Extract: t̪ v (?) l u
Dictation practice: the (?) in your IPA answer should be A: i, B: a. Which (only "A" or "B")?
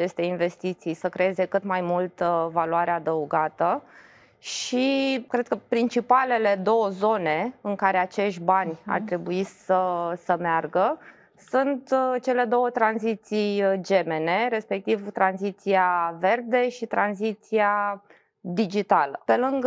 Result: B